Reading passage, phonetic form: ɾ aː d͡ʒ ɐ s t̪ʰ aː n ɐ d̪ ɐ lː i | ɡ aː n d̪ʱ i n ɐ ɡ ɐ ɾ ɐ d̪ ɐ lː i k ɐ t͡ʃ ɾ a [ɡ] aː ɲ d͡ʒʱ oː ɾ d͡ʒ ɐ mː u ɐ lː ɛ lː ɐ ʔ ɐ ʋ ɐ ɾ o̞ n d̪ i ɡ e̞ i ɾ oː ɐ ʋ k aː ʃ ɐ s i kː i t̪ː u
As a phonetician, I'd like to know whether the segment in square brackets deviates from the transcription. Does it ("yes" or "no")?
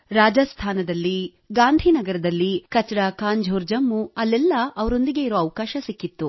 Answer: yes